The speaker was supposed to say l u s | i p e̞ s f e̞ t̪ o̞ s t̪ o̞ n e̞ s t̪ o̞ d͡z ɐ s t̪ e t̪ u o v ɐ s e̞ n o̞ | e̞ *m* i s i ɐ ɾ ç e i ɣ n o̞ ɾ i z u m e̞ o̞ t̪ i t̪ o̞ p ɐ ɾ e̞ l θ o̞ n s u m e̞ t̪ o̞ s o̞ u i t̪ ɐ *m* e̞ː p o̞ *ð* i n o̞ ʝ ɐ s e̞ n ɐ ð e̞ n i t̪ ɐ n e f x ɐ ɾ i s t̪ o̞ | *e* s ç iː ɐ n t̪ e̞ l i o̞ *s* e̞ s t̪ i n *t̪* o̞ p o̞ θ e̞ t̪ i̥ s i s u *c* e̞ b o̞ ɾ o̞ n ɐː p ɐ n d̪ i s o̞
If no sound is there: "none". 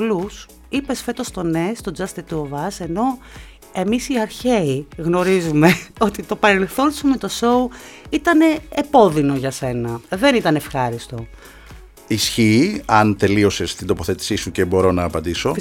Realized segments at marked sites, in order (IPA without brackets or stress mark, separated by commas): m, n, ð, i, s, d̪, c